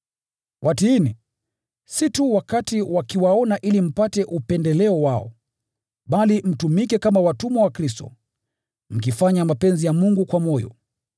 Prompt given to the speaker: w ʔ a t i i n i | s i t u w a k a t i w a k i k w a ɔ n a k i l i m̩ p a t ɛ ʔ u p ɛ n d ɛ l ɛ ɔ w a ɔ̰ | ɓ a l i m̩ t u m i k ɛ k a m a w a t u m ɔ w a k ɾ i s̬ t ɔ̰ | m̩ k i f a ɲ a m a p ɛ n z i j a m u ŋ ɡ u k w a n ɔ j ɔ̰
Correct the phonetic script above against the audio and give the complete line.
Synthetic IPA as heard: w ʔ a t i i n i | s i t u w a k a t i w a k i w a ɔ n a ʔ i l i m̩ p a t ɛ ʔ u p ɛ n d ɛ l ɛ ɔ w a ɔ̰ | ɓ a l i m̩ t u m i k ɛ k a m a w a t u m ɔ w a k ɾ i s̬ t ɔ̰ | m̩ k i f a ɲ a m a p ɛ n z i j a m u ŋ ɡ u k w a m ɔ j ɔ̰

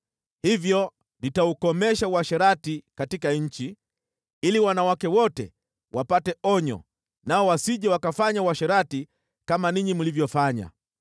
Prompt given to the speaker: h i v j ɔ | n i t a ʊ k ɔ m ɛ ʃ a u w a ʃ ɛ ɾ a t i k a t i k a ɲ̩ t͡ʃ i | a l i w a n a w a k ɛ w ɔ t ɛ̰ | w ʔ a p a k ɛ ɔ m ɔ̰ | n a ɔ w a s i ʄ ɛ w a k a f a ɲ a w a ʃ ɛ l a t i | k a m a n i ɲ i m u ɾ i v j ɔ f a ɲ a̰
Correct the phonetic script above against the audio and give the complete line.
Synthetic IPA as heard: h i v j ɔ | n i t a u k ɔ m ɛ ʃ a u w a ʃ ɛ ɾ a t i k a t i k a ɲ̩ t͡ʃ i | i l i w a n a w a k ɛ w ɔ t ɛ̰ | w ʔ a p a t ɛ ɔ ɲ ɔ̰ | n a ɔ w a s i ʄ ɛ w a k a f a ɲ a w a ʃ ɛ ɾ a t i | k a m a n i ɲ i m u l i v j ɔ f a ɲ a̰

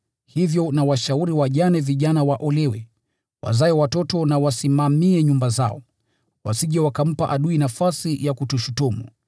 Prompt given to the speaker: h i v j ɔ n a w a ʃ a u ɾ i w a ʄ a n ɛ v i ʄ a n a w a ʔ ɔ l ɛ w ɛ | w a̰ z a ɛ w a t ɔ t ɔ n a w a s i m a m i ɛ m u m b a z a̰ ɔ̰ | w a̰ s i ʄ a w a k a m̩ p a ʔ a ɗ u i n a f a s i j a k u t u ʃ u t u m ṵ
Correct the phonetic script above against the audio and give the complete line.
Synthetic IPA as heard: h i v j ɔ n a w a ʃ a u ɾ i w a ʄ a n ɛ v i ʄ a n a w a ʔ ɔ l ɛ w ɛ | w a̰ z a ɛ w a t ɔ t ɔ n a w a s i m a m i ɛ ɲ u m b a z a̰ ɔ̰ | w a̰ s i ʄ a w a k a m̩ p a ʔ a ɗ u i n a f a s i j a k u t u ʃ u t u m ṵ

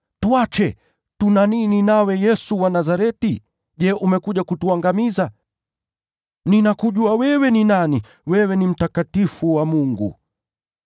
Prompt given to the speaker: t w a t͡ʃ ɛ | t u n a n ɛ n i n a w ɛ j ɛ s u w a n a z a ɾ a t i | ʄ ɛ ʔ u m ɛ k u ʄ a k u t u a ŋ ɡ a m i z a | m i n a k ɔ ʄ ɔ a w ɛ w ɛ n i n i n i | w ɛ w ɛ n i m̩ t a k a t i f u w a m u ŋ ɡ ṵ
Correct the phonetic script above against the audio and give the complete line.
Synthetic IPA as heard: t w a t͡ʃ ɛ | t u n a n i n i n a w ɛ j ɛ s u w a n a z a ɾ ɛ t i | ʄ ɛ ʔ u m ɛ k u ʄ a k u t u a ŋ ɡ a m i z a | n i n a k u ʄ u a w ɛ w ɛ n i n a n i | w ɛ w ɛ n i m̩ t a k a t i f u w a m u ŋ ɡ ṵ

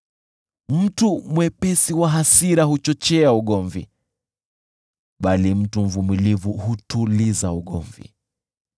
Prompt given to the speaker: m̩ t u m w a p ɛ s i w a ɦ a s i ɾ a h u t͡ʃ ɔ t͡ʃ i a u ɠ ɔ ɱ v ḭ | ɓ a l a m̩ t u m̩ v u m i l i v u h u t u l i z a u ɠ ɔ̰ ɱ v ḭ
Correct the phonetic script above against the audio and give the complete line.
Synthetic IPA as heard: m̩ t u m w ɛ p ɛ s i w a ɦ a s i ɾ a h u t͡ʃ ɔ t͡ʃ ɛ a u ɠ ɔ ɱ v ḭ | ɓ a l i m̩ t u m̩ v u m i l i v u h u t u l i z a u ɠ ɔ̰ ɱ v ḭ

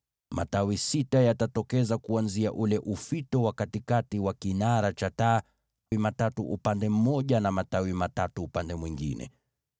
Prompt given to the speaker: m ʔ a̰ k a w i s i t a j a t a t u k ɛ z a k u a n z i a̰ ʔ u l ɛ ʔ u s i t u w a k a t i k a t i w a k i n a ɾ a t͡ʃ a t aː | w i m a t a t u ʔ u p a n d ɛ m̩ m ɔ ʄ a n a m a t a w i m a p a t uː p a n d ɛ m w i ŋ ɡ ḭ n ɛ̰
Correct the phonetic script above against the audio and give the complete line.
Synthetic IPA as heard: m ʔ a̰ t a w i s i t a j a t a t ɔ k ɛ z a k u a n z i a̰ ʔ u l ɛ ʔ u f i t ɔ w a k a t i k a t i w a k i n a ɾ a t͡ʃ a t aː | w i m a t a t u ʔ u p a n d ɛ m̩ m ɔ ʄ a n a m a t a w i m a t a t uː p a n d ɛ m w i ŋ ɡ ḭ n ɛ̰

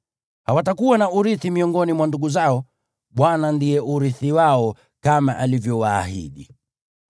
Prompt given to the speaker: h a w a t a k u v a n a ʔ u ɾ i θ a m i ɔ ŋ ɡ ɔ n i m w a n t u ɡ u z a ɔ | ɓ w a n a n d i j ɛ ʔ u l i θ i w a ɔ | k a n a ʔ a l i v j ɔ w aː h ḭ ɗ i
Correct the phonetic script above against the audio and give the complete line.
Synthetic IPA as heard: h a w a t a k u w a n a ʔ u ɾ i θ i m i ɔ ŋ ɡ ɔ n i m w a n d u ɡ u z a ɔ | ɓ w a n a n d i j ɛ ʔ u ɾ i θ i w a ɔ | k a m a ʔ a l i v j ɔ w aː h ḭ ɗ i

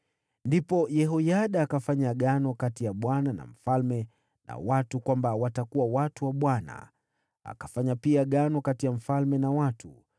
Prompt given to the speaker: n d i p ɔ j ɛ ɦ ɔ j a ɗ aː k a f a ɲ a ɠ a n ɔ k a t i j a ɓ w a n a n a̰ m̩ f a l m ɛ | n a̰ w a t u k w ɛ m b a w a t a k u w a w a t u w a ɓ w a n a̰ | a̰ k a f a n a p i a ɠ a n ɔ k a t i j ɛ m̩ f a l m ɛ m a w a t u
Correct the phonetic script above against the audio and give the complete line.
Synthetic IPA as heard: n d i p ɔ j ɛ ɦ ɔ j a ɗ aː k a f a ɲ a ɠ a n ɔ k a t i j a ɓ w a n a n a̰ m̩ f a l m ɛ | n a̰ w a t u k w a m b a w a t a k u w a w a t u w a ɓ w a n a̰ | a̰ k a f a ɲ a p i a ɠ a n ɔ k a t i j a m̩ f a l m ɛ n a w a t u

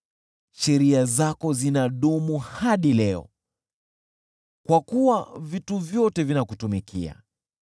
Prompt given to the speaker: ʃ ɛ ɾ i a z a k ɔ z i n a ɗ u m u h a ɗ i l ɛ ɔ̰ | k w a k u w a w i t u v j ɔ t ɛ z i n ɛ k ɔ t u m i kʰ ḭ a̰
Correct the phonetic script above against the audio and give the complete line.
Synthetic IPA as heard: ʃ ɛ ɾ i a z a k ɔ z i n a ɗ u m u h a ɗ i l ɛ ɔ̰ | k w a k u w a v i t u v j ɔ t ɛ v i n a k u t u m i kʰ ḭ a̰

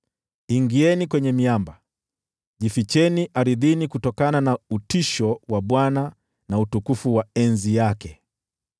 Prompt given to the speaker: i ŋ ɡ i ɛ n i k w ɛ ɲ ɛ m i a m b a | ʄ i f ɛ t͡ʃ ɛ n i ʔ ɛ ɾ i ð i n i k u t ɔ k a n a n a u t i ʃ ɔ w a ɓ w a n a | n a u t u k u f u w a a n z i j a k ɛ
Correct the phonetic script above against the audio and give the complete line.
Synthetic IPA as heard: i ŋ ɡ i ɛ n i k w ɛ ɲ ɛ m i a m b a | ʄ i f i t͡ʃ ɛ n i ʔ a ɾ i ð i n i k u t ɔ k a n a n a u t i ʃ ɔ w a ɓ w a n a | n a u t u k u f u w a ɛ n z i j a k ɛ

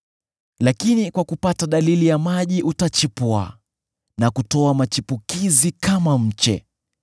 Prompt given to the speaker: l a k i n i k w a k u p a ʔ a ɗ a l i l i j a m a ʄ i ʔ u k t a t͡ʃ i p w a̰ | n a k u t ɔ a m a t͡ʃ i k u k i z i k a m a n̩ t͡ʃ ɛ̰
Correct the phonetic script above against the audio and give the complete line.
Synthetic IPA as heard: l a k i n i k w a k u p a t a ɗ a l i l i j a m a ʄ i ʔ u t a t͡ʃ i p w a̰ | n a k u t ɔ a m a t͡ʃ i p u k i z i k a m a m̩ t͡ʃ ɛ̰

